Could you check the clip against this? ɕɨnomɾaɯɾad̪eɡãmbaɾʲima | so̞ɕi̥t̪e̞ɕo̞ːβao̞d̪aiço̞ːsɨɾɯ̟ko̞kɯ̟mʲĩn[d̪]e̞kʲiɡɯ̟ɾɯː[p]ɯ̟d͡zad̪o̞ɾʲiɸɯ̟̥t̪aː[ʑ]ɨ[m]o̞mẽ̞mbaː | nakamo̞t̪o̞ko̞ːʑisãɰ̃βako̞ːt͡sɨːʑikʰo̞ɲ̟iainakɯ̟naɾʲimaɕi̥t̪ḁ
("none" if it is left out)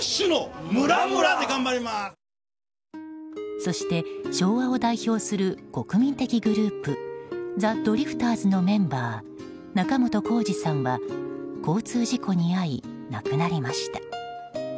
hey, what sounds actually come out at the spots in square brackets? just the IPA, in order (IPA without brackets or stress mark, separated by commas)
t̪, p, z, n